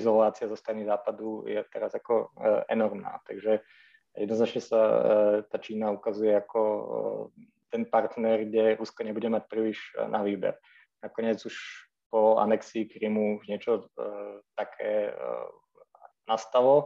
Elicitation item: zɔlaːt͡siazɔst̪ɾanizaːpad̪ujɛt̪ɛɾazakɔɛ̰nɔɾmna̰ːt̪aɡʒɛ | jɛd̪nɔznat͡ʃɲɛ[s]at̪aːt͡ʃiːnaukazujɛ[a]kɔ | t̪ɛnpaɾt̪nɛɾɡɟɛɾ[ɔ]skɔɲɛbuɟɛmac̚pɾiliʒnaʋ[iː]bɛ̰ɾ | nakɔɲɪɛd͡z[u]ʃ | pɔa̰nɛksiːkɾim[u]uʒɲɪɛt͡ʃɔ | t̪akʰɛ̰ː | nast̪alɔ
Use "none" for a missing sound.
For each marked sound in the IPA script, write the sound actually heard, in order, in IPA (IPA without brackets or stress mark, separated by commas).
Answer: s, a, u, iː, u, u